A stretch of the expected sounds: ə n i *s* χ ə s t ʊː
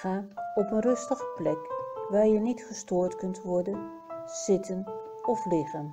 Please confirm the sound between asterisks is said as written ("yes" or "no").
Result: no